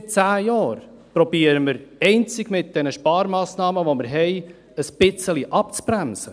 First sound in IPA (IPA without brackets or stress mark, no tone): t͡s